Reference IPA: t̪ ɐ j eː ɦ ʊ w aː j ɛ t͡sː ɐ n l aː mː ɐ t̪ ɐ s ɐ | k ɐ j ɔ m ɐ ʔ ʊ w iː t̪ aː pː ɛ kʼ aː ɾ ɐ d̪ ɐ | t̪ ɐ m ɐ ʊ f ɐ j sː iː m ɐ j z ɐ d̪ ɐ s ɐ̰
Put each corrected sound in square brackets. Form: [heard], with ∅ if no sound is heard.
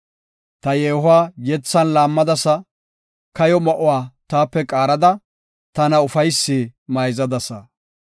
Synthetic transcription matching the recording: t̪ ɐ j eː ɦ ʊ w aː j ɛ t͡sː ɐ n l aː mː ɐ [d̪] ɐ s ɐ | k ɐ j ɔ m ɐ ʔ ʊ w [aː] t̪ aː pː ɛ kʼ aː ɾ ɐ d̪ ɐ | t̪ ɐ [n] ɐ ʊ f ɐ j sː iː m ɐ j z ɐ d̪ ɐ s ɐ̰